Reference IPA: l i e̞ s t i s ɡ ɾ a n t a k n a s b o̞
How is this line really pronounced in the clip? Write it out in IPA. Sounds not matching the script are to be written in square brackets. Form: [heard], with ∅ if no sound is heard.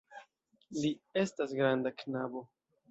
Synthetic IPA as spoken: l i e̞ s t [a] s ɡ ɾ a n [d] a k n a [∅] b o̞